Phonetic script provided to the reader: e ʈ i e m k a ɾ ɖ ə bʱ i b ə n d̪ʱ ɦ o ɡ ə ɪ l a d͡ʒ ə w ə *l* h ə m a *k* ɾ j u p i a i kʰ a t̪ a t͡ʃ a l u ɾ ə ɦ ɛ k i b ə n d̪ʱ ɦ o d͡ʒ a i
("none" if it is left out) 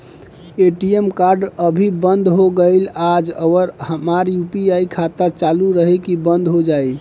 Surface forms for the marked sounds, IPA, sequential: ɾ, none

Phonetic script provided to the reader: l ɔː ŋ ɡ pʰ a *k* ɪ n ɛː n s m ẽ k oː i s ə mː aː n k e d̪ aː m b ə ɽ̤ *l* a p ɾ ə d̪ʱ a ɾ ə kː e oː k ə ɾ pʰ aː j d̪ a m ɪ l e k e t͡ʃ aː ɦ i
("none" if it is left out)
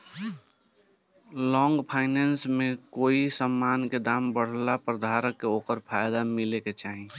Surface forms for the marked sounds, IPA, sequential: none, l

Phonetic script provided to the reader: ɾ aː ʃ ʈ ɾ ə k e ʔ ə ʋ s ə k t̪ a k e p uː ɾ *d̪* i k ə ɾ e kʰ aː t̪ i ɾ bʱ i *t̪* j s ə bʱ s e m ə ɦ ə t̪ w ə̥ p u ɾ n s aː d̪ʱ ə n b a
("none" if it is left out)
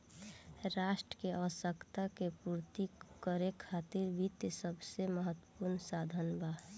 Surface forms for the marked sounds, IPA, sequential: t̪, t̪

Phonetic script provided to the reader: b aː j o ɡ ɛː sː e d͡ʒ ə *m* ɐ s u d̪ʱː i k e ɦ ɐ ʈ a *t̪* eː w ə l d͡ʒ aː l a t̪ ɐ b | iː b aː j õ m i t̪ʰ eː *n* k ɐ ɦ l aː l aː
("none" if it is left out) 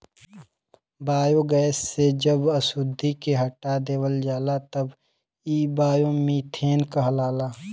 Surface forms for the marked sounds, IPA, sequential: b, d̪, n

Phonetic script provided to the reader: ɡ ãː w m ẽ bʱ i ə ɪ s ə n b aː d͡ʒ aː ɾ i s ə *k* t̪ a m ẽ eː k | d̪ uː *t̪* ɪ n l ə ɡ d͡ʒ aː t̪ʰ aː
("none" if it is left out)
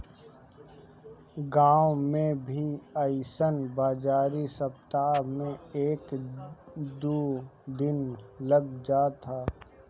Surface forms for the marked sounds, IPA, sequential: p, d̪

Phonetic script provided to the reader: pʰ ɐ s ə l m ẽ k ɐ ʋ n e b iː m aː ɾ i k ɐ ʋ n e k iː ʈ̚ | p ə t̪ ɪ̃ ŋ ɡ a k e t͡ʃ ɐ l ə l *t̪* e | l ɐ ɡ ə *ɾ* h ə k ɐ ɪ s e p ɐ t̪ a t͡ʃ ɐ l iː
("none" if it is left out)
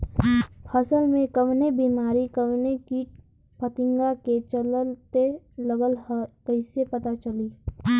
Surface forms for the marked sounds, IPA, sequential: t̪, l

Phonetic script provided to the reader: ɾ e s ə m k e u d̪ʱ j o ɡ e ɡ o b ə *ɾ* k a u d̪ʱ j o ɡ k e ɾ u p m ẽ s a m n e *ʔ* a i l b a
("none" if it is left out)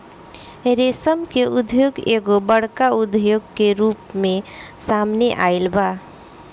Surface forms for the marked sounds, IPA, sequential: ɽ, ʔ

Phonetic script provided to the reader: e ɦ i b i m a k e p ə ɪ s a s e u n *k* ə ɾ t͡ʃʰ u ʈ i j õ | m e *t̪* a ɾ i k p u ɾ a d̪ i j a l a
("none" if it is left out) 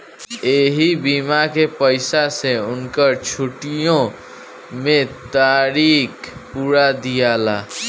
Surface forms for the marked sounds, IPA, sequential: k, t̪

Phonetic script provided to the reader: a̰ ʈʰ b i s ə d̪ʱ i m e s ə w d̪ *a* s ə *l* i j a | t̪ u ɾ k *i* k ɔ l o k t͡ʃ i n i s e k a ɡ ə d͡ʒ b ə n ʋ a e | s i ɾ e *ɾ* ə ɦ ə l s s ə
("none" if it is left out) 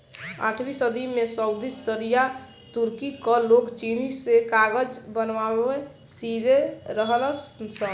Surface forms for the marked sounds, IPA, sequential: i, ɾ, i, ɾ

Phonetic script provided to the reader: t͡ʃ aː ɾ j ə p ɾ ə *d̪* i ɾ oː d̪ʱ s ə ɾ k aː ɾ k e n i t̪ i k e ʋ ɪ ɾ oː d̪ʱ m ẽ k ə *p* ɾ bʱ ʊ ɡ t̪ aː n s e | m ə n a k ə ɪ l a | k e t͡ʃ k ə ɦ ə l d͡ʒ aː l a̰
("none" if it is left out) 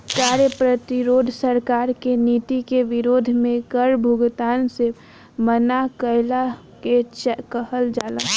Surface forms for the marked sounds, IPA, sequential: t̪, none

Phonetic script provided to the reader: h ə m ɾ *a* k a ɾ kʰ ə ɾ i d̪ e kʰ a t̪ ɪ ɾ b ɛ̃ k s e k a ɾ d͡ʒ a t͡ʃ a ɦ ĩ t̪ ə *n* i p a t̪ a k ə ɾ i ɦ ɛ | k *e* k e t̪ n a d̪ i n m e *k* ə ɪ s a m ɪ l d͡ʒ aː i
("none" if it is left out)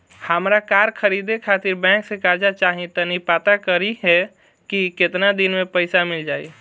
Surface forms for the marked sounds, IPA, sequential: a, n, i, p

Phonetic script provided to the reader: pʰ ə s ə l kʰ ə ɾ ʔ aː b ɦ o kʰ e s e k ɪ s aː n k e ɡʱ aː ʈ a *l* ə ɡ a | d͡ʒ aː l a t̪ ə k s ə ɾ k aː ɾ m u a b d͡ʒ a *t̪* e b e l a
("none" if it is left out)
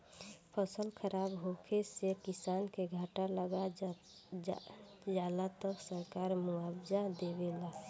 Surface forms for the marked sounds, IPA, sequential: l, d̪

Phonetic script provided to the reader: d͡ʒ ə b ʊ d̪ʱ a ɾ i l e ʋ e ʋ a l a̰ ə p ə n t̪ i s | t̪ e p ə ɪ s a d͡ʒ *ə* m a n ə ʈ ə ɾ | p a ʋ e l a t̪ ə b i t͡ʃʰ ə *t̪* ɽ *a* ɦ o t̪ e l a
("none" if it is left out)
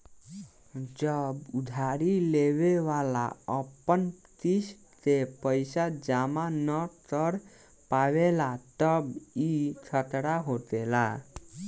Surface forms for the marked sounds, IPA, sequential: a, t̪, a

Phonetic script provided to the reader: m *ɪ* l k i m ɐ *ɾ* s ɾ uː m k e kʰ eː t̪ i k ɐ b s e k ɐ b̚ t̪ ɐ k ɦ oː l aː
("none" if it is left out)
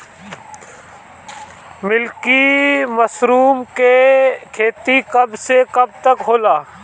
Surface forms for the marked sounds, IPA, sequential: ɪ, none

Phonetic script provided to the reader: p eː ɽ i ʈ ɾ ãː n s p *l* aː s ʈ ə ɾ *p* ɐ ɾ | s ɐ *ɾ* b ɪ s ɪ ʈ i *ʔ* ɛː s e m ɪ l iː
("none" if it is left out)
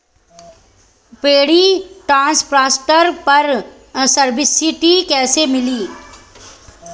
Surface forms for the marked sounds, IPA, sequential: ɾ, p, ɾ, k

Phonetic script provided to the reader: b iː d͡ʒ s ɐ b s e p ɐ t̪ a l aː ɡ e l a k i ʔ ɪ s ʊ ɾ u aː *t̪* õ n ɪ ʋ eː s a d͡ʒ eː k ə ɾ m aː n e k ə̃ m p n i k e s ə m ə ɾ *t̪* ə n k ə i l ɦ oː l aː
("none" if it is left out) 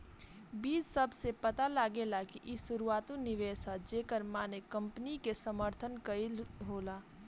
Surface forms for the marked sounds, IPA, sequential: t̪, t̪ʰ

